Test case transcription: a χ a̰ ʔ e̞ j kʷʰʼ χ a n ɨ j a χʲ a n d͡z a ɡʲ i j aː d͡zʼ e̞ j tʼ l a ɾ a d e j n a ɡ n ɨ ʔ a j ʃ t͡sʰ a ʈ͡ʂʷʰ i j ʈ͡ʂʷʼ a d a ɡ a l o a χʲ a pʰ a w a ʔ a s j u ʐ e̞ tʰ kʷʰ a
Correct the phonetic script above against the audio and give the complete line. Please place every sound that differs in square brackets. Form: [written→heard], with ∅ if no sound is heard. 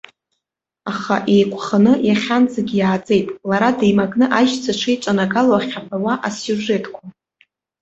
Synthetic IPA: a χ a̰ ʔ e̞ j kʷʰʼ χ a n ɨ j a χʲ a n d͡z a ɡʲ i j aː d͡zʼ e̞ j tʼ l a ɾ a d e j [n→m] a ɡ n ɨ ʔ a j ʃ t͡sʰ a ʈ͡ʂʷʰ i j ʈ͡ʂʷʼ a [d→n] a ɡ a l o a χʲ a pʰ a w a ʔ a s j u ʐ e̞ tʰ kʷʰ a